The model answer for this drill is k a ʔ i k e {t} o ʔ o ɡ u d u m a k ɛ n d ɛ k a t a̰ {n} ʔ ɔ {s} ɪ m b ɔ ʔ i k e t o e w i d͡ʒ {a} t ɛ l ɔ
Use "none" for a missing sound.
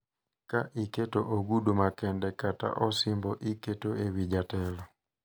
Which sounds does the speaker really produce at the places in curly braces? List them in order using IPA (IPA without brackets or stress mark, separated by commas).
t, none, s, a